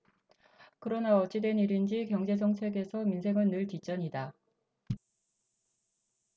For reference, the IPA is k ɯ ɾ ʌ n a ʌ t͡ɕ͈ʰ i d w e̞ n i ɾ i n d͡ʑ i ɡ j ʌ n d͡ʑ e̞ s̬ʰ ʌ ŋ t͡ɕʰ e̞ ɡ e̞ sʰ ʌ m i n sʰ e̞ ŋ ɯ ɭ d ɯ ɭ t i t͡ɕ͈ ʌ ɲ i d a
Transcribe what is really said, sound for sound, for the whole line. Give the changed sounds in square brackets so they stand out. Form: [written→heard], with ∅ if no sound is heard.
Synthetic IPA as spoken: k ɯ ɾ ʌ n a ʌ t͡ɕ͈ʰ i d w e̞ n i ɾ i n d͡ʑ i [ɡ→k] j ʌ [n→ŋ] d͡ʑ e̞ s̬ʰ ʌ ŋ t͡ɕʰ e̞ ɡ e̞ sʰ ʌ m i n sʰ e̞ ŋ ɯ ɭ [d→n] ɯ ɭ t i t͡ɕ͈ ʌ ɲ i d a